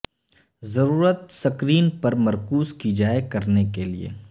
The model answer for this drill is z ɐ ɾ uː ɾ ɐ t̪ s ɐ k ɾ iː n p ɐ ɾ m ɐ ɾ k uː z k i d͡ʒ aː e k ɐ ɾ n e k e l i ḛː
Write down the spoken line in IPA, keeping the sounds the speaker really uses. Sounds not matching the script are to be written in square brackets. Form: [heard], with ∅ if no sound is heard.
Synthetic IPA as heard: z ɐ ɾ uː ɾ [ə] t̪ s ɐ k ɾ iː n p ɐ ɾ m ɐ ɾ k uː z k i d͡ʒ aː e k ɐ ɾ n e k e l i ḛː